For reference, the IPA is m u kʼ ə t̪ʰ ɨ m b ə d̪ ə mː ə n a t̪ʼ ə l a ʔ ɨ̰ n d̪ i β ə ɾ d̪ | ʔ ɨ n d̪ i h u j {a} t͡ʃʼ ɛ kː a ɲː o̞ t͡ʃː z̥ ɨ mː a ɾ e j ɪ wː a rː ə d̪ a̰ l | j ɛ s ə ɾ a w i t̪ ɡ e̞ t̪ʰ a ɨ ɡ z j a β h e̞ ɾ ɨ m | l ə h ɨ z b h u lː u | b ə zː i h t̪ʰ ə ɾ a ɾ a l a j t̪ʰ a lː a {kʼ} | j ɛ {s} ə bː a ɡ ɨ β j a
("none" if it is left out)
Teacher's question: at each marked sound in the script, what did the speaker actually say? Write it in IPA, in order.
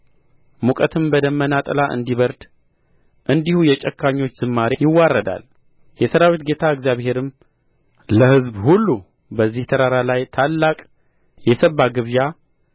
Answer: ɛ, kʼ, s

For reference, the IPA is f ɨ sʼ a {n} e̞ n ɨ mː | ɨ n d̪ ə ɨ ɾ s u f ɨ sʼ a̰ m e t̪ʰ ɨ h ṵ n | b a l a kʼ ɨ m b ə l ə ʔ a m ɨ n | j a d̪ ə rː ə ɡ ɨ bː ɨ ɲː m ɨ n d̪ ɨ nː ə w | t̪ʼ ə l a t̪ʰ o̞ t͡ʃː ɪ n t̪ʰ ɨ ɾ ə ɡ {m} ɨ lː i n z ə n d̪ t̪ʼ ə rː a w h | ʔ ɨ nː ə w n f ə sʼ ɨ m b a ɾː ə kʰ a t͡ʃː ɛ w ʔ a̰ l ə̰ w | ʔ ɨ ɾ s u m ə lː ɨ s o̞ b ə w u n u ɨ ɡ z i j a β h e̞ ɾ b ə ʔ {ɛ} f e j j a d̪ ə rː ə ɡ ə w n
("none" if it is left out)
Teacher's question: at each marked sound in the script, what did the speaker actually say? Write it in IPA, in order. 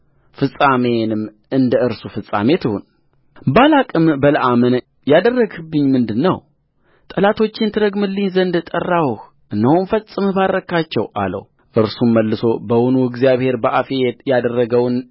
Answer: m, m, a

